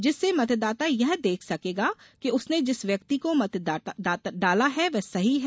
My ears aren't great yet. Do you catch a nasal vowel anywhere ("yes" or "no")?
no